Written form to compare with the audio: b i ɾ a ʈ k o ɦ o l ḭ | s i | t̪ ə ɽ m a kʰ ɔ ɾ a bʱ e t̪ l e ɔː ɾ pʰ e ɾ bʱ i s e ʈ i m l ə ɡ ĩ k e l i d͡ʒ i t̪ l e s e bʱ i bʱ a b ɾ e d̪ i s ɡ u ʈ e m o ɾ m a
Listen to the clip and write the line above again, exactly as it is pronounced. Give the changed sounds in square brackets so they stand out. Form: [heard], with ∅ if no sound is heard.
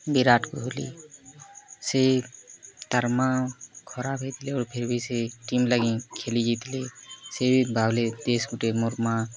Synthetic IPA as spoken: b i ɾ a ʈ k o ɦ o l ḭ | s [e] | t̪ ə [ɾ] m a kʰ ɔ ɾ a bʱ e t̪ l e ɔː ɾ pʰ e ɾ bʱ i s e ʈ i m l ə ɡ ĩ [kʰ] e l i d͡ʒ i t̪ l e s e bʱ i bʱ a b [l] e d̪ [e] s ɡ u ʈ e m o ɾ m a

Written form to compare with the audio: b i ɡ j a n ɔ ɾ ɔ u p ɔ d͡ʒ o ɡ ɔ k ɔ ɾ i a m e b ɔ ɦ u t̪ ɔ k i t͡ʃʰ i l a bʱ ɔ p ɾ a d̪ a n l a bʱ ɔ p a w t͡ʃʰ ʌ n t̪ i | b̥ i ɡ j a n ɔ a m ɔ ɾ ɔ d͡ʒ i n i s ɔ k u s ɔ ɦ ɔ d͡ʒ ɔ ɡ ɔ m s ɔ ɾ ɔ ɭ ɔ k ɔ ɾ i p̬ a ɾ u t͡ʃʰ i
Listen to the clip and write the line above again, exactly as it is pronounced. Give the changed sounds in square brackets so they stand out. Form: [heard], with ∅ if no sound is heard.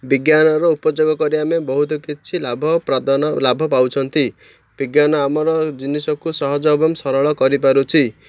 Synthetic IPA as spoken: b i ɡ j a n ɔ ɾ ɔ u p ɔ d͡ʒ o ɡ ɔ k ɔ ɾ i a m e b ɔ ɦ u t̪ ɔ k i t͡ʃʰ i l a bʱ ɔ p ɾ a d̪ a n l a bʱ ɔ p a w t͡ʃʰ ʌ n t̪ i | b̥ i ɡ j a n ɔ a m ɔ ɾ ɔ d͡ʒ i n i s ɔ k u s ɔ ɦ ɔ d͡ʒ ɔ [b] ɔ m s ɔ ɾ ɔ ɭ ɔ k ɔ ɾ i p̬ a ɾ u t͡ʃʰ i

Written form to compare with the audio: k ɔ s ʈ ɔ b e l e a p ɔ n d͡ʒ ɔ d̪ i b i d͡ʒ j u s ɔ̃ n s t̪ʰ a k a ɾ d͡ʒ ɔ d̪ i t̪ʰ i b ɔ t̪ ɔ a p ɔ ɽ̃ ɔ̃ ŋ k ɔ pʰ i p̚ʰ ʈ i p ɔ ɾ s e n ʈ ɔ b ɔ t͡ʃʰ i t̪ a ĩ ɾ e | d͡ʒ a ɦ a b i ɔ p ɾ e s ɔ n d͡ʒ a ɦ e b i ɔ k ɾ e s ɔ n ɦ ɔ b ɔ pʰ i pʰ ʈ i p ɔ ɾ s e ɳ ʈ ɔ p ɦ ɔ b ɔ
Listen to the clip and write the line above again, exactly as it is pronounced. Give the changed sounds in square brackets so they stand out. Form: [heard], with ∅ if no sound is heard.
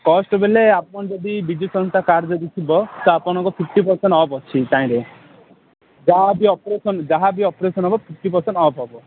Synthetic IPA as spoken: k ɔ s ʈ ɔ b e l e a p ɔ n d͡ʒ ɔ d̪ i b i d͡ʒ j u s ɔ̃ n s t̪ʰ a k a ɾ d͡ʒ ɔ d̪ i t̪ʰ i b ɔ t̪ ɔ a p ɔ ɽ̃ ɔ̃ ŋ k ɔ pʰ i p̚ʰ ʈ i p ɔ ɾ s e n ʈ ɔ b ɔ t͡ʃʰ i t̪ a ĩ ɾ e | d͡ʒ a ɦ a b i ɔ p ɾ e s ɔ n d͡ʒ a ɦ [a] b i ɔ [p] ɾ e s ɔ n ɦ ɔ b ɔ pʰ i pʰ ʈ i p ɔ ɾ s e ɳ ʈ ɔ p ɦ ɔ b ɔ

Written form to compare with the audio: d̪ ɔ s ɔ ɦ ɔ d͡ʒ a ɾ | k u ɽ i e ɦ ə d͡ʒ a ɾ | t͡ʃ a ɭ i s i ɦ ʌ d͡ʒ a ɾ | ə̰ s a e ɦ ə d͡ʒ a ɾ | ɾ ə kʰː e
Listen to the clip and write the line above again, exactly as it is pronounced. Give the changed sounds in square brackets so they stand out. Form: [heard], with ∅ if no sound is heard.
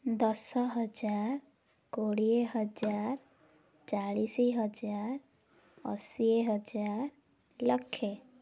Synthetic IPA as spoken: d̪ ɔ s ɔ ɦ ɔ d͡ʒ a ɾ | k [o] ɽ i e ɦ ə d͡ʒ a ɾ | t͡ʃ a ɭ i s i ɦ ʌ d͡ʒ a ɾ | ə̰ s [i] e ɦ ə d͡ʒ a ɾ | [l] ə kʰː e

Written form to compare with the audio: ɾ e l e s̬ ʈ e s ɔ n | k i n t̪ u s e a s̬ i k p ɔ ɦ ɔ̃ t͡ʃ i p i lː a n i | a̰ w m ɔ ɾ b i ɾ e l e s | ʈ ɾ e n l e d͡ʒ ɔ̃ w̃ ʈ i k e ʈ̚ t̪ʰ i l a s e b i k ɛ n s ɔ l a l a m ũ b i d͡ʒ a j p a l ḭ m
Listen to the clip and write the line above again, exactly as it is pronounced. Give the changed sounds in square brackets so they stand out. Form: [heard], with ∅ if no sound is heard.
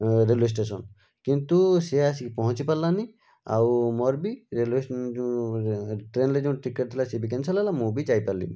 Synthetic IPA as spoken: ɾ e l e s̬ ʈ e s ɔ n | k i n t̪ u s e a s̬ i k p ɔ ɦ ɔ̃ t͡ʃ i p [a] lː a n i | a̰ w m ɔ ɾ b i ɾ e l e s | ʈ ɾ e n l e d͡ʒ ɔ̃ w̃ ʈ i k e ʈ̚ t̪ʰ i l a s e b i k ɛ n s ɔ l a l a m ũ b i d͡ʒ a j p a l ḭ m

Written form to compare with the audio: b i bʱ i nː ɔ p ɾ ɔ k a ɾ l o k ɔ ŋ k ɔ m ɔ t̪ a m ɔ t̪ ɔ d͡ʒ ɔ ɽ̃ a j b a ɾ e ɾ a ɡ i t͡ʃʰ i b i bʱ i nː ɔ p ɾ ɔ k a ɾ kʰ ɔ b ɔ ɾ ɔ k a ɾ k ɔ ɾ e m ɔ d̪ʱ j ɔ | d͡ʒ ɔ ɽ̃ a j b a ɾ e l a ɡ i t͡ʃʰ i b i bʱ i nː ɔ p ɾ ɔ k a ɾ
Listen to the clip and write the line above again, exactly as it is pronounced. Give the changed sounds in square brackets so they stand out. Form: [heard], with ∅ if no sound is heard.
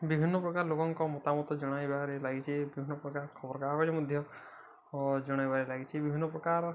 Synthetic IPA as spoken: b i bʱ i nː ɔ p ɾ ɔ k a ɾ l o k ɔ ŋ k ɔ m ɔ t̪ a m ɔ t̪ ɔ d͡ʒ ɔ ɽ̃ a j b a ɾ e [l] a ɡ i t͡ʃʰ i b i bʱ i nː ɔ p ɾ ɔ k a ɾ kʰ ɔ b ɔ ɾ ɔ k a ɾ k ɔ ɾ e m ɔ d̪ʱ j ɔ | d͡ʒ ɔ ɽ̃ a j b a ɾ e l a ɡ i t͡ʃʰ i b i bʱ i nː ɔ p ɾ ɔ k a ɾ

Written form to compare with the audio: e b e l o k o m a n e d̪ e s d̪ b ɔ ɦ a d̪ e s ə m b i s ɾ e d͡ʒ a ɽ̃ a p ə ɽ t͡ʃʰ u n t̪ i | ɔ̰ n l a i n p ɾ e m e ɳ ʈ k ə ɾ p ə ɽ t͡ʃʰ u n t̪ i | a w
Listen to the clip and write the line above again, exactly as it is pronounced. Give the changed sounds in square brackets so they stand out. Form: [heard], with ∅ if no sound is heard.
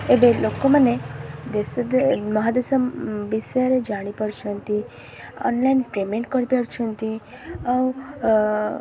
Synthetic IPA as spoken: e b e l o k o m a n e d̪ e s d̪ [m] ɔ ɦ a d̪ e s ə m b i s ɾ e d͡ʒ a ɽ̃ [i] p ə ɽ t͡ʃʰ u n t̪ i | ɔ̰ n l a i n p ɾ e m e ɳ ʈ k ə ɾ p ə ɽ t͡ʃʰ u n t̪ i | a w

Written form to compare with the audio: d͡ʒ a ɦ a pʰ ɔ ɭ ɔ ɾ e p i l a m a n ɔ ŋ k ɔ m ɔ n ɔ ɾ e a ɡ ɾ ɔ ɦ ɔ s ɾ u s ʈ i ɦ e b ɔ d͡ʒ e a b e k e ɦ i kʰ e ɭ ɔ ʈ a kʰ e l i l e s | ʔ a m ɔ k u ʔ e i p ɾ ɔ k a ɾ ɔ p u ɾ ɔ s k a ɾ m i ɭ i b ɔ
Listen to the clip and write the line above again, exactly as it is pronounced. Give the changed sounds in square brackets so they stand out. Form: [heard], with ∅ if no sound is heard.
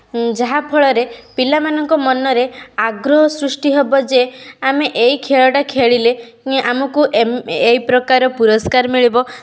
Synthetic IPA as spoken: d͡ʒ a ɦ a pʰ ɔ ɭ ɔ ɾ e p i l a m a n ɔ ŋ k ɔ m ɔ n ɔ ɾ e a ɡ ɾ ɔ ɦ ɔ s ɾ u s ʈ i ɦ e b ɔ d͡ʒ e a [m] e [ʔ] e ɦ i kʰ e ɭ ɔ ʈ a kʰ e [ɭ] i l e [∅] | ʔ a m ɔ k u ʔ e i p ɾ ɔ k a ɾ ɔ p u ɾ ɔ s k a ɾ m i ɭ i b ɔ

